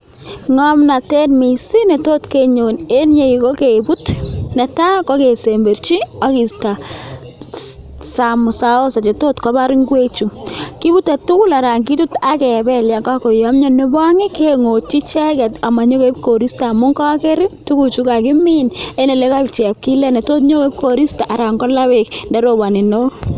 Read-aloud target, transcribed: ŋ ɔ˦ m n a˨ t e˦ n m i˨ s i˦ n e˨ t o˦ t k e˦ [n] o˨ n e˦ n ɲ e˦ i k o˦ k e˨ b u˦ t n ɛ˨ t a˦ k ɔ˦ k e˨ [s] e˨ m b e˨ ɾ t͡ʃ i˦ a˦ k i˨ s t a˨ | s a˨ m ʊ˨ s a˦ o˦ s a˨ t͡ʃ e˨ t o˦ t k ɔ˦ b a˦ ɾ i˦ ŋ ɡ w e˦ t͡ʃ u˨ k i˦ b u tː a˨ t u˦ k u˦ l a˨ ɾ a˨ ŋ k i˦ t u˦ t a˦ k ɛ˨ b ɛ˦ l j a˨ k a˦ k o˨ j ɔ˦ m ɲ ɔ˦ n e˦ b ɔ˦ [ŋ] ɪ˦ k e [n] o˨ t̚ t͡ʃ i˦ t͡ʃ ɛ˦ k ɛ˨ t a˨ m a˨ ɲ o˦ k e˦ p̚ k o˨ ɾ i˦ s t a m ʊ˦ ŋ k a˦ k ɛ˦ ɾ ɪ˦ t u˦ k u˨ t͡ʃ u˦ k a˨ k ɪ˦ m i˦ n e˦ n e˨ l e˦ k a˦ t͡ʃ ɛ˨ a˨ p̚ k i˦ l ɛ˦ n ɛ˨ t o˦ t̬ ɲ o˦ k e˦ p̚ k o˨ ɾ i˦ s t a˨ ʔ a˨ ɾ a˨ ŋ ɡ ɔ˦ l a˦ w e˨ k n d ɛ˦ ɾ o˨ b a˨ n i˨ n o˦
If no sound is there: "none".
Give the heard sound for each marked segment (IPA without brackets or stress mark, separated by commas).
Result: ɲ, s, ŋ, ŋ